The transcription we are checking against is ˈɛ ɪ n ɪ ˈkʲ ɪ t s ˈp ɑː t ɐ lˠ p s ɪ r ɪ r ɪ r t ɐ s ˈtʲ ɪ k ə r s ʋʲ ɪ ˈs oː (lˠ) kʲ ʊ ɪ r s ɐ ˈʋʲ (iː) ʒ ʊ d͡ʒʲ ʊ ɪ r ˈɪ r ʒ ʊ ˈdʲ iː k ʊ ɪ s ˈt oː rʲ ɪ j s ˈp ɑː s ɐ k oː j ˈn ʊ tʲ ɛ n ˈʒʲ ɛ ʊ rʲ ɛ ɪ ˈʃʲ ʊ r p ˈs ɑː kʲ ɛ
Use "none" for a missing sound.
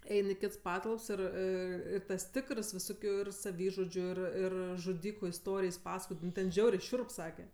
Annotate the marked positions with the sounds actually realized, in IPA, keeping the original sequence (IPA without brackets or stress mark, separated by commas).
none, iː